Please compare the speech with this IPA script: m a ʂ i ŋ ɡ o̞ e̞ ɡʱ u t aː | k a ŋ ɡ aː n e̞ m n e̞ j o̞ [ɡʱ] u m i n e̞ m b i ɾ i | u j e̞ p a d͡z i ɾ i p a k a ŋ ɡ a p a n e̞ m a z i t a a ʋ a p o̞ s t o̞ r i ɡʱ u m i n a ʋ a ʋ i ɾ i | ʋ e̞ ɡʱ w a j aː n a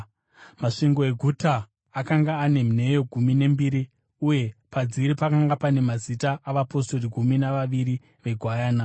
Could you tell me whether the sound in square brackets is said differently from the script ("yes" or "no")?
no